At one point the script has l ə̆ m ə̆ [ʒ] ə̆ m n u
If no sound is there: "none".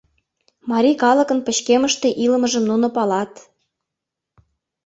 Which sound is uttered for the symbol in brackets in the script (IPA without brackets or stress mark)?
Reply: ʒ